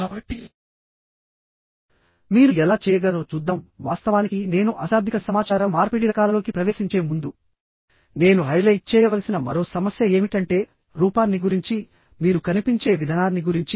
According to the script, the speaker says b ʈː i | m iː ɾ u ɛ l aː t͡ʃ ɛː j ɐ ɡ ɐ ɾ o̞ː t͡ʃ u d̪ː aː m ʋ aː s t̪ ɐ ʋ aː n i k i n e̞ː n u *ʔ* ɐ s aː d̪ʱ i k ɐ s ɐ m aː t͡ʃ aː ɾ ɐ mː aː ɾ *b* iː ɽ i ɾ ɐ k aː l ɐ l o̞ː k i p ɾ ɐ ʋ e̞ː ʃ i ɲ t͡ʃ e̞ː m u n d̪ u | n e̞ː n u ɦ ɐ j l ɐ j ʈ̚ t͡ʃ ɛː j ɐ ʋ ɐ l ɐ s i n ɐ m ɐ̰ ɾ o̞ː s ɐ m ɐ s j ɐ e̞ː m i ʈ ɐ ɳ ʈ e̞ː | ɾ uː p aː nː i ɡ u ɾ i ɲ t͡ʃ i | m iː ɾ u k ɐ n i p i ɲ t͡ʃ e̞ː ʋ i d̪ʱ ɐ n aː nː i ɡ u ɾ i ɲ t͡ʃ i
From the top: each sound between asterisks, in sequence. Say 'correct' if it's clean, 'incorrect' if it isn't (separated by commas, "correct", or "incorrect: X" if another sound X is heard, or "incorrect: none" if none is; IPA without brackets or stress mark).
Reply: correct, incorrect: p